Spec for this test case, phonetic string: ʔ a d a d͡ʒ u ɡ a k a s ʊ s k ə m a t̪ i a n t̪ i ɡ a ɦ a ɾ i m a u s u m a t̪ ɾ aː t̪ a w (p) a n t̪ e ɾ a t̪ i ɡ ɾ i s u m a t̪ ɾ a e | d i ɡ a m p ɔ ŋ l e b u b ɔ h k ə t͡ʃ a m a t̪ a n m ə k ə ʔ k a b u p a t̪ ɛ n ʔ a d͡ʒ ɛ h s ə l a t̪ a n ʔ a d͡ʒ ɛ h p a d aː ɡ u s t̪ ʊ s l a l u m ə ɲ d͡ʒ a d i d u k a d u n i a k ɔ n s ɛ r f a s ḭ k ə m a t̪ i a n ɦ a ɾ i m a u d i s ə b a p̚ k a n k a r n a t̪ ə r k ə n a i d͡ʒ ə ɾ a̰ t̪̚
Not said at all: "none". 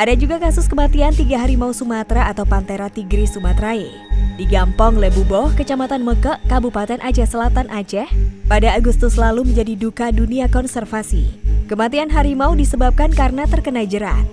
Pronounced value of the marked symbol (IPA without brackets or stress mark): p